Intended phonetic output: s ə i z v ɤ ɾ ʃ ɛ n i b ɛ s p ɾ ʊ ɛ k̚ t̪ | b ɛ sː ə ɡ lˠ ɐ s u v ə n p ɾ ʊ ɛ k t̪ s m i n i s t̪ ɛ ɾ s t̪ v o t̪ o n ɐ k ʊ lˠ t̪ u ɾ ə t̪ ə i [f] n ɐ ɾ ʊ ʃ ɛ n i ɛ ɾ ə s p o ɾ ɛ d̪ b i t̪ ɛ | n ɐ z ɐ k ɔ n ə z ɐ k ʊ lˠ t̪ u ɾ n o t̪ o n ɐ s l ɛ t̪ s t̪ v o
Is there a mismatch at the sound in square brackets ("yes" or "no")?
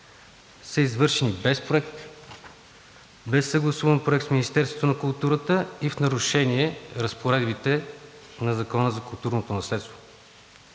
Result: no